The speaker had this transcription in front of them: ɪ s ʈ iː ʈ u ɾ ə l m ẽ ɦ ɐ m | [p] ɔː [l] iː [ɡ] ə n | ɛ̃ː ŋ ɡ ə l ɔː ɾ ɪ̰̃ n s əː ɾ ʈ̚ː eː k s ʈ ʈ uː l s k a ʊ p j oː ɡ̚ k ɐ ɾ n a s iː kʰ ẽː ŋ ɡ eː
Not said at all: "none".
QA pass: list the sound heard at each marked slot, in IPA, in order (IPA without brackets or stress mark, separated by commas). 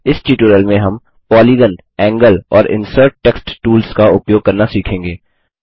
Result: p, l, ɡ